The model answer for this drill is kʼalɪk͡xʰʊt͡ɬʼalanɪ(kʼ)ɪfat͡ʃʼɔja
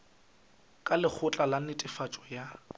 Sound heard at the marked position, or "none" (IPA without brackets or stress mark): tʼ